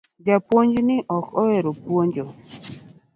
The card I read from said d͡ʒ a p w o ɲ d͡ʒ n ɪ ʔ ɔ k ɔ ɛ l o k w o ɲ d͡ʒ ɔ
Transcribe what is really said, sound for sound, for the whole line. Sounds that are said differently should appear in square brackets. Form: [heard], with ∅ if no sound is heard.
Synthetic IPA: d͡ʒ a p w o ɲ d͡ʒ n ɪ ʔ ɔ k ɔ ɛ [ɾ] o [p] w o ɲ d͡ʒ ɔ